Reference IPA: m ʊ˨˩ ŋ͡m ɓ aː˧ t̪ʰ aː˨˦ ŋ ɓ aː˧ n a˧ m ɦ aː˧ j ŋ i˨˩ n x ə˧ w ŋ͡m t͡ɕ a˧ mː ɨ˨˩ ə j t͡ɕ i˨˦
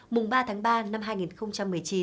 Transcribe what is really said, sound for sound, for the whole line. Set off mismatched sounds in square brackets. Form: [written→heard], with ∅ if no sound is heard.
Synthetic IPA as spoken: m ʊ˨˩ ŋ͡m ɓ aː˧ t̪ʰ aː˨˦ ŋ ɓ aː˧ n a˧ m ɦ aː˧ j ŋ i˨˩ n x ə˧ w ŋ͡m t͡ɕ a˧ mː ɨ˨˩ ə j t͡ɕ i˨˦